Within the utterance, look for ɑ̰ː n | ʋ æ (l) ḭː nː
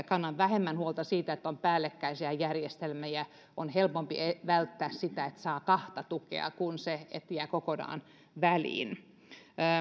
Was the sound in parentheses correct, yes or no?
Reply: yes